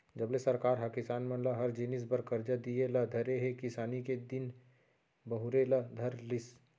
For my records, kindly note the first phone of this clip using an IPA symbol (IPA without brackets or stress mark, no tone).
d͡ʒ